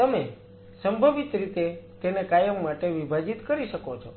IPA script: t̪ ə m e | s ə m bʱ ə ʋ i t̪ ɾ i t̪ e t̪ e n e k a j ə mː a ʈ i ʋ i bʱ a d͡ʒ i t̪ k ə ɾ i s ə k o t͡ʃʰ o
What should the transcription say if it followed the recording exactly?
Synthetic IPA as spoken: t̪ ə m e | s ə m bʱ ə ʋ i t̪ ɾ i t̪ e t̪ e n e k a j ə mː a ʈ e ʋ i bʱ a d͡ʒ i t̪ k ə ɾ i ʃ ə k o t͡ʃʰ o